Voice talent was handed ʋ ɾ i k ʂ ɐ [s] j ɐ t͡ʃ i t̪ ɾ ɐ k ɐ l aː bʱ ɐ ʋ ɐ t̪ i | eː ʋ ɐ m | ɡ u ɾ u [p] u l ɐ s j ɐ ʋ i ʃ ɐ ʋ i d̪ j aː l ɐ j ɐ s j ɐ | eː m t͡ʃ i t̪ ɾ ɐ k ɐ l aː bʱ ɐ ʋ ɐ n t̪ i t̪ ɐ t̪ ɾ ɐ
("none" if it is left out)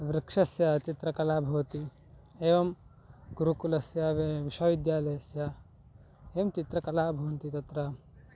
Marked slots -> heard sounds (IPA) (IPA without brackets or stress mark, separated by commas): s, k